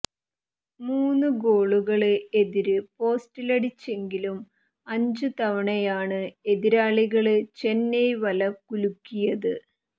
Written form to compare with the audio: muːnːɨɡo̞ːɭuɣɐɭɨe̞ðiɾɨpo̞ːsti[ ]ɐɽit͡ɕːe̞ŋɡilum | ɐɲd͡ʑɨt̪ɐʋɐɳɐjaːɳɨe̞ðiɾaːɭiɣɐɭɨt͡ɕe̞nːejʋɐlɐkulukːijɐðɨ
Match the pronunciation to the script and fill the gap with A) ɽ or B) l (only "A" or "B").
B